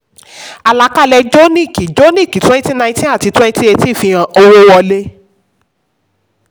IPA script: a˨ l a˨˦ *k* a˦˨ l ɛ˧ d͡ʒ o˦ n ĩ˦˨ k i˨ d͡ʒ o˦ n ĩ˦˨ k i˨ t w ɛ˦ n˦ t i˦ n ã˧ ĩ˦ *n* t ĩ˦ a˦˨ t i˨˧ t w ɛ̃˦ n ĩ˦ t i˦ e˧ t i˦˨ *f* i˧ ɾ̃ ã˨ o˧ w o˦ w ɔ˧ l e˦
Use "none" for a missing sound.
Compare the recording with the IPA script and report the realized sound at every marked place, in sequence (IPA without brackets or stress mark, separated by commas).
k, none, f